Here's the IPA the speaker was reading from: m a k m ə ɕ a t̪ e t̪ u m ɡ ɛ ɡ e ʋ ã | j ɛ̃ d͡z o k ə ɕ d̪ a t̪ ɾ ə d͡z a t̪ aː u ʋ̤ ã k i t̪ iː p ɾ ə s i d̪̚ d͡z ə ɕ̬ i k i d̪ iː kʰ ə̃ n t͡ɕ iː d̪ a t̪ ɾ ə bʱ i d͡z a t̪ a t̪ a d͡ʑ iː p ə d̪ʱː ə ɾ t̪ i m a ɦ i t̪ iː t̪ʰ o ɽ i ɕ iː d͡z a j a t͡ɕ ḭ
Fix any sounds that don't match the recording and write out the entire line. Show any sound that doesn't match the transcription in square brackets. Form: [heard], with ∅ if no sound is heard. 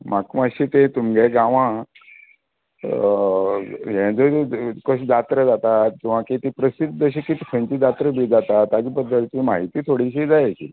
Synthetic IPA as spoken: m a k m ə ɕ [i] t̪ e t̪ u m ɡ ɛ ɡ [a] ʋ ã | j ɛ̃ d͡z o k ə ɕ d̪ a t̪ ɾ ə d͡z a t̪ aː u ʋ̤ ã k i t̪ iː p ɾ ə s i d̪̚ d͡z ə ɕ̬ i k i [t̪] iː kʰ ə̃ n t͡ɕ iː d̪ a t̪ ɾ ə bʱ i d͡z a t̪ a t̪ a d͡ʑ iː p ə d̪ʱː ə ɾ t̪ i m a ɦ i t̪ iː t̪ʰ o ɽ i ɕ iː d͡z a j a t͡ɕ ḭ